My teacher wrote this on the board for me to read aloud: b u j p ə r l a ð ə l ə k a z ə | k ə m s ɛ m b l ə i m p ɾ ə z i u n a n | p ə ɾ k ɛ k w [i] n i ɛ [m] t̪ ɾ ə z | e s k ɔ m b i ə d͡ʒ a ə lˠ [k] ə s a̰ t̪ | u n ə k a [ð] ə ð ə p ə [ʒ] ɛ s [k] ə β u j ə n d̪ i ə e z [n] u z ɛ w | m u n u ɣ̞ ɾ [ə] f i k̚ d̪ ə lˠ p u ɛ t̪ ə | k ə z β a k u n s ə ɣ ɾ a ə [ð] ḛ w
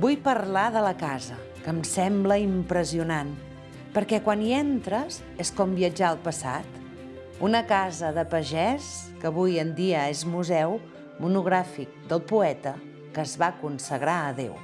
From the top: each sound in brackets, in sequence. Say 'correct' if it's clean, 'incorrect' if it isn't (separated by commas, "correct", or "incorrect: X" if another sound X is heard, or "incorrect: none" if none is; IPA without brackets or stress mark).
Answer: incorrect: a, incorrect: n, incorrect: p, incorrect: z, correct, correct, incorrect: m, incorrect: a, correct